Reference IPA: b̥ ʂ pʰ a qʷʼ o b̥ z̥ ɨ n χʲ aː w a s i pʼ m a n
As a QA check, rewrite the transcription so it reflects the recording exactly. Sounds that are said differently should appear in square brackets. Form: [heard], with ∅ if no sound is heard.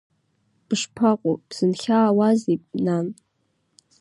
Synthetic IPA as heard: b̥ ʂ pʰ a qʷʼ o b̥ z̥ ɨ n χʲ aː w a [z] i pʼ [n] a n